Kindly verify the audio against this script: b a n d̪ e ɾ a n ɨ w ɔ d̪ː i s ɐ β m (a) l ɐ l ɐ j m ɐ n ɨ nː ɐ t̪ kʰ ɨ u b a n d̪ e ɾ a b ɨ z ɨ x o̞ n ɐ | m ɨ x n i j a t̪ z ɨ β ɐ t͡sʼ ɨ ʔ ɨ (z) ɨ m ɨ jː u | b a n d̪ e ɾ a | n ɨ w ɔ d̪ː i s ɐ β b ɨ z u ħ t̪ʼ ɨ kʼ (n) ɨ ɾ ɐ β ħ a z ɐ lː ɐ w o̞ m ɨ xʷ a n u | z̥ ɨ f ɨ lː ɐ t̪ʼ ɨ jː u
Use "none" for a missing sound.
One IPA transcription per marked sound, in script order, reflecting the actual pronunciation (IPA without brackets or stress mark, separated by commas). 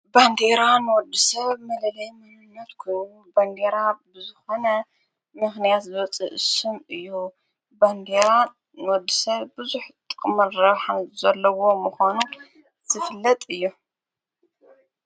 ɐ, s, m